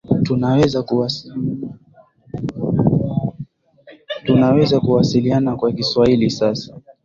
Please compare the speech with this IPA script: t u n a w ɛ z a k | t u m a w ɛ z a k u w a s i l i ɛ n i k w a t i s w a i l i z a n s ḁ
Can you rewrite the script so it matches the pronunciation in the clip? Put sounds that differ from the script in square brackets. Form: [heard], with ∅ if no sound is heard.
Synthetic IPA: t u n a w ɛ z a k | t u [n] a w ɛ z a k u w a s i l i [a] n [a] k w a [k] i s w a i l i [s] a [∅] s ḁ